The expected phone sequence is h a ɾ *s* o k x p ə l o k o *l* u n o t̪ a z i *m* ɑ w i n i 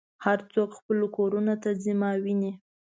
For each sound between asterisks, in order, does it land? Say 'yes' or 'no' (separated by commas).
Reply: no, no, yes